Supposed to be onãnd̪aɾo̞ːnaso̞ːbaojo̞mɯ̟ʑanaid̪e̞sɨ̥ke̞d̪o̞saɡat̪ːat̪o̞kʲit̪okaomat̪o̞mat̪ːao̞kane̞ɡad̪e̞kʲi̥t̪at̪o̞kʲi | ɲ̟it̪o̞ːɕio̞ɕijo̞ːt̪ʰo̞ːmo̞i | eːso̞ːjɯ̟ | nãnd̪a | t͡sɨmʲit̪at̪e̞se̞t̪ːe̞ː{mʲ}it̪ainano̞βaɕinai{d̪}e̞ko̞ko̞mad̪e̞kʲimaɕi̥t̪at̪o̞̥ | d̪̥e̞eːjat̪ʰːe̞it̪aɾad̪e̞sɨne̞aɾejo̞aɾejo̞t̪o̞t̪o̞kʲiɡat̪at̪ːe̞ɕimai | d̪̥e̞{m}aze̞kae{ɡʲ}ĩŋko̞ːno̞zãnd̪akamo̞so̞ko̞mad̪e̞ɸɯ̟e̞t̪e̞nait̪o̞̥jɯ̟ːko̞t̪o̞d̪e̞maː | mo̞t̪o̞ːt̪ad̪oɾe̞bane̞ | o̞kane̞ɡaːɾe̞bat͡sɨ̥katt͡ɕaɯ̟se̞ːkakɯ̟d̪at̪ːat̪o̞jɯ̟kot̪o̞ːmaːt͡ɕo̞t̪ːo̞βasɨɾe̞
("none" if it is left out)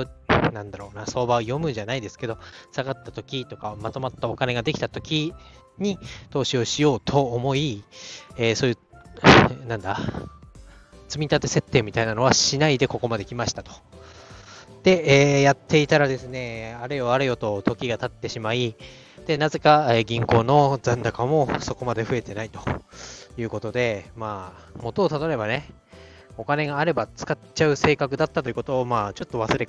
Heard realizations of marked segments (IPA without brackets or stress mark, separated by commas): mʲ, d̪, n, ɡʲ